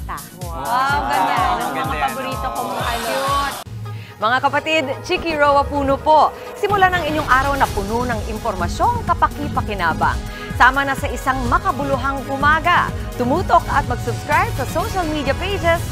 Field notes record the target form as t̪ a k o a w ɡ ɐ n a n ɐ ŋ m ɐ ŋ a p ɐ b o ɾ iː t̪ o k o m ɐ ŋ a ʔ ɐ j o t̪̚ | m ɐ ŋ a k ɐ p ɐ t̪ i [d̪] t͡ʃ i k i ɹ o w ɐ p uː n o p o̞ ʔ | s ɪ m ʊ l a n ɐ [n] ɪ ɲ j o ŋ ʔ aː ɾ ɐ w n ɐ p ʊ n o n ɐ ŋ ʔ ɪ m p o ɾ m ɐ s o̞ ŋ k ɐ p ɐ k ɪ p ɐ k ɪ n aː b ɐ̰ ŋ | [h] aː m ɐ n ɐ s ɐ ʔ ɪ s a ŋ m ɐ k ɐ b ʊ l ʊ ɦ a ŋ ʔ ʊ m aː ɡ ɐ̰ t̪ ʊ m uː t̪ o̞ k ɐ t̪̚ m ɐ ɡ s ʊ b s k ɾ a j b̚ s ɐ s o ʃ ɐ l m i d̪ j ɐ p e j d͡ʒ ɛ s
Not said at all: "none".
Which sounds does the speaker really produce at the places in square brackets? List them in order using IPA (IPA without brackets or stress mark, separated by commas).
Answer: d̪, ŋ, s